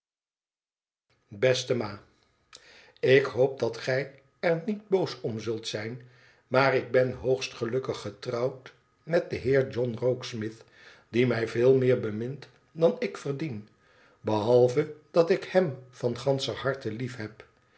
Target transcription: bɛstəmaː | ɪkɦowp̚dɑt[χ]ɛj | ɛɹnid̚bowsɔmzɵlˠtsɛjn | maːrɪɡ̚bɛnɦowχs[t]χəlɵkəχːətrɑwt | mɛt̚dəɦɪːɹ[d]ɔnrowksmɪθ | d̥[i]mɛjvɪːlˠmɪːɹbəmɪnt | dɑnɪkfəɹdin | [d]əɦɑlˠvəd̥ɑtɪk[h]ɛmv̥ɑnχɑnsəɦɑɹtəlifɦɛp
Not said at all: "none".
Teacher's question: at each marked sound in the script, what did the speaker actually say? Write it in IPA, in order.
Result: χ, t, d͡ʒ, i, b, h

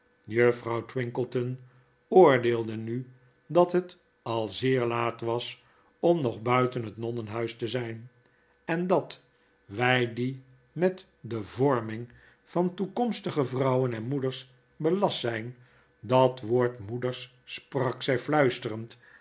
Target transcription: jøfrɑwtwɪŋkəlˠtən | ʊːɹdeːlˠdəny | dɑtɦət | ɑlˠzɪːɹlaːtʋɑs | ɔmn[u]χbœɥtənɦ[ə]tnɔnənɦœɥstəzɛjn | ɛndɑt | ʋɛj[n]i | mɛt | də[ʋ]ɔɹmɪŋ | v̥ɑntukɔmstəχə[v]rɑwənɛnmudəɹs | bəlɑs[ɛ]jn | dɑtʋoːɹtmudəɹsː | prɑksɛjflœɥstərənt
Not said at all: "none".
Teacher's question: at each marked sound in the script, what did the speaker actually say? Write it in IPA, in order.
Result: ɔ, ə, d, v, v, ɛ

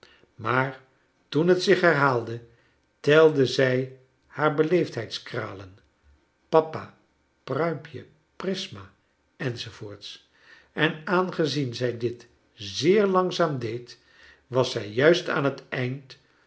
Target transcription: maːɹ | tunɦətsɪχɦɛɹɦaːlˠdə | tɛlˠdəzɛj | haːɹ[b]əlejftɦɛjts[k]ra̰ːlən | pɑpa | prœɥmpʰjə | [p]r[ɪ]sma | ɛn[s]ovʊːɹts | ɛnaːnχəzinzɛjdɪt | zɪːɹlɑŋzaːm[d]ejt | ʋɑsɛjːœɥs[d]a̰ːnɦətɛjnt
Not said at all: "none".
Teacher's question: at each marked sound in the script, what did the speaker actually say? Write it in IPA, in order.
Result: b, k, p, ɪ, z, d, t

